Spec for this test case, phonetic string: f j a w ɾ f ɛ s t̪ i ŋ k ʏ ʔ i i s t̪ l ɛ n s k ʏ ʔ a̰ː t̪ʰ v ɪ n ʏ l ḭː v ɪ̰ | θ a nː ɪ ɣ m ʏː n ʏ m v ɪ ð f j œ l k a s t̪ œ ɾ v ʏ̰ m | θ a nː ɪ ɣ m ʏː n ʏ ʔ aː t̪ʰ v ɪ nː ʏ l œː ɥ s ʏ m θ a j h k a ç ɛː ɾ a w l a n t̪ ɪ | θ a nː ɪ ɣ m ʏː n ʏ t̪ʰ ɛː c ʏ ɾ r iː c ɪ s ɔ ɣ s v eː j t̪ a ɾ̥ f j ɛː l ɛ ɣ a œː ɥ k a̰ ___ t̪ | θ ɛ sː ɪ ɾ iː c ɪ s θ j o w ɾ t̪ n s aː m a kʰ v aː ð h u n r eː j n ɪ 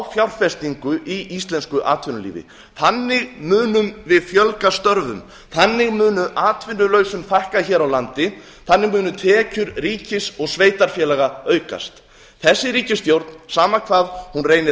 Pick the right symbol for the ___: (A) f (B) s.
B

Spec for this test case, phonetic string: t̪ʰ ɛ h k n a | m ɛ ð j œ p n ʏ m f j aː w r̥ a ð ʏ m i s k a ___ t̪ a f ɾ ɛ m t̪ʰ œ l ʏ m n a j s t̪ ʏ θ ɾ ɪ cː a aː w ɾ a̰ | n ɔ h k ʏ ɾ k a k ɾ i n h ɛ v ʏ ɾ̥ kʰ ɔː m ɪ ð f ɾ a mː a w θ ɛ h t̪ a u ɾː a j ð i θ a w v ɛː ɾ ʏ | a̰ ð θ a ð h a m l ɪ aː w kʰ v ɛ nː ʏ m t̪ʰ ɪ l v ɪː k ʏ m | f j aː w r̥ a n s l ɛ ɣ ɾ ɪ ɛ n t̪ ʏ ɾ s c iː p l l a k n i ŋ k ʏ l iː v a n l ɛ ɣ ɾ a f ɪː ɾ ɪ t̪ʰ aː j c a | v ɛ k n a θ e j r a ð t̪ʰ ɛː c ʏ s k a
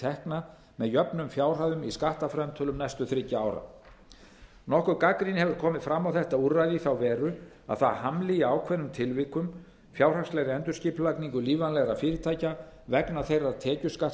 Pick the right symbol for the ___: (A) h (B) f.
A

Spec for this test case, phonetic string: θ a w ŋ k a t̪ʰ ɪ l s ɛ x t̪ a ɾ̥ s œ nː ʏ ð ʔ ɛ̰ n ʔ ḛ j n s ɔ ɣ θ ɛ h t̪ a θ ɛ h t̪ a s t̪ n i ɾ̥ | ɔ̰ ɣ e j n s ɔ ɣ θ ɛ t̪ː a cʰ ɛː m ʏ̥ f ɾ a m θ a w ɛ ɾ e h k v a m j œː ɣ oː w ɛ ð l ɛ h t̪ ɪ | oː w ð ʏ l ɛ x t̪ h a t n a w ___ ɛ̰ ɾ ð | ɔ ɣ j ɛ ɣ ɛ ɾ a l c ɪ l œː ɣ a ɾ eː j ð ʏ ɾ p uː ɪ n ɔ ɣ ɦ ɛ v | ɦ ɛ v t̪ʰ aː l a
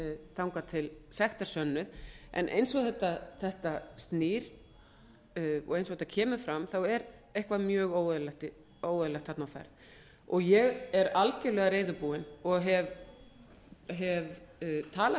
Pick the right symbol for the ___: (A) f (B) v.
A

